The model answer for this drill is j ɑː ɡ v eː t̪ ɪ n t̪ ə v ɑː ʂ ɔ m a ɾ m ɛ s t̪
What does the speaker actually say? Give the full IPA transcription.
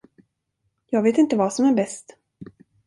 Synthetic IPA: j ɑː ɡ v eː t̪ ɪ n t̪ ə v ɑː s ɔ m æ ɾ b ɛ s t̪